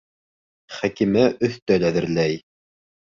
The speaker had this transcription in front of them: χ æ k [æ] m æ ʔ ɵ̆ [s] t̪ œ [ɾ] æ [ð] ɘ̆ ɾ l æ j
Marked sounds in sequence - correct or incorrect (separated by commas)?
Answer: incorrect, incorrect, incorrect, correct